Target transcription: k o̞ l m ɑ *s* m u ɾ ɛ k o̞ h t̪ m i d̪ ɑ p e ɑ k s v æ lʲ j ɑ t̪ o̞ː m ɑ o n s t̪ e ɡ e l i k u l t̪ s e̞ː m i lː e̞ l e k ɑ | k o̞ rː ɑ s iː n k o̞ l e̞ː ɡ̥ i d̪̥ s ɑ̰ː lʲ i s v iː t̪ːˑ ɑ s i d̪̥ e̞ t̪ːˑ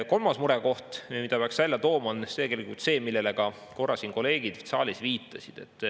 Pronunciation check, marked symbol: correct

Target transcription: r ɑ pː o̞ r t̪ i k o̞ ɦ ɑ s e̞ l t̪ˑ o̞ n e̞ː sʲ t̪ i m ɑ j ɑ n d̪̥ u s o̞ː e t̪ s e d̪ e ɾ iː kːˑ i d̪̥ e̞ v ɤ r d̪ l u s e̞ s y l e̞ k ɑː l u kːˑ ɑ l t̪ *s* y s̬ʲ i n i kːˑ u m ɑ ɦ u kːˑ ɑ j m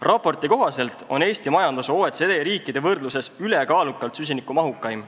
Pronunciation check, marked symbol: correct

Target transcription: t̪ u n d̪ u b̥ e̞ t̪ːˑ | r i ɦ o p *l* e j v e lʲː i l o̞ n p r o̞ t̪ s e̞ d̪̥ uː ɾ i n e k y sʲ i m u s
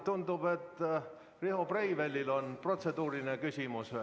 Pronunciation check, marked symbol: incorrect: r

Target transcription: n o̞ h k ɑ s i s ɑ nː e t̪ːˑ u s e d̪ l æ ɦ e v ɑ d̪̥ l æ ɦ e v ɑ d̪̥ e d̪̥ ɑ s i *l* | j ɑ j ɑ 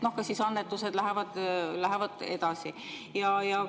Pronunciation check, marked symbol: incorrect: none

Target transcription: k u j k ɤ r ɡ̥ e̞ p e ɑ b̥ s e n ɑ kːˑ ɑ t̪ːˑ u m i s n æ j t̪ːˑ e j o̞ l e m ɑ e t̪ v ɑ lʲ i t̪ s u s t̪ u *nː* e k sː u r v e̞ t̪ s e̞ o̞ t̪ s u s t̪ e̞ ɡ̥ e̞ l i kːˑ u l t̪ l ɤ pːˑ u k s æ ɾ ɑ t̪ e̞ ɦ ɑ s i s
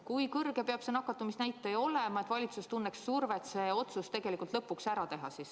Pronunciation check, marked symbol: correct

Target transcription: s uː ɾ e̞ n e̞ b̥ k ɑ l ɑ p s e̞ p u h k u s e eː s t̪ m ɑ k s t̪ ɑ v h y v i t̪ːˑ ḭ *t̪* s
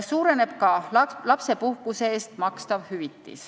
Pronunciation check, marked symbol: incorrect: none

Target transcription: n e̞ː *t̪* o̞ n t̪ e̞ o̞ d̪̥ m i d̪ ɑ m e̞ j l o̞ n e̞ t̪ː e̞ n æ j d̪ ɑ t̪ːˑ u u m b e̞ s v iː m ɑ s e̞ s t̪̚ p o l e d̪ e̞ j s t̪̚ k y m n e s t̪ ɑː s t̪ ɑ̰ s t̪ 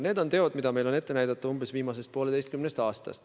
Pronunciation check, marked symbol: incorrect: d̪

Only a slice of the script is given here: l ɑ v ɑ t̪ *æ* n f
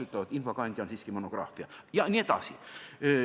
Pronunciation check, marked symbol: incorrect: i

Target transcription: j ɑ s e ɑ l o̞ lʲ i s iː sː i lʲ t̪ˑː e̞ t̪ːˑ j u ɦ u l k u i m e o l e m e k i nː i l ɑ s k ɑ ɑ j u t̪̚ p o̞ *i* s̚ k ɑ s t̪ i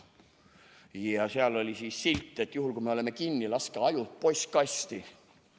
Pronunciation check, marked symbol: incorrect: j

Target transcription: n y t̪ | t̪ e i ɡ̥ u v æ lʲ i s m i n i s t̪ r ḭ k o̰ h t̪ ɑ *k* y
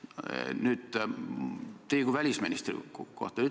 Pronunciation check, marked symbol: incorrect: none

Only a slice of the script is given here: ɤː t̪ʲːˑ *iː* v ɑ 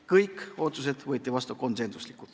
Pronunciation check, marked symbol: incorrect: i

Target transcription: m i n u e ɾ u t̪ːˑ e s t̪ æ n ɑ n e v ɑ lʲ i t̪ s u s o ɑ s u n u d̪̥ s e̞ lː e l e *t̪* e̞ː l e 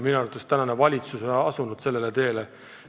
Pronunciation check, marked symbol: correct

